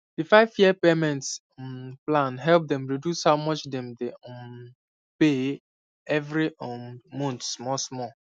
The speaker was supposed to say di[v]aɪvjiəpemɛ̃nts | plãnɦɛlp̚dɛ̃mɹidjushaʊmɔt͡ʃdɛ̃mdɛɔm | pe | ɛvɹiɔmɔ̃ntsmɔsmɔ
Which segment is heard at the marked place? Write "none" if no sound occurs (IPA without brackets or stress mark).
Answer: f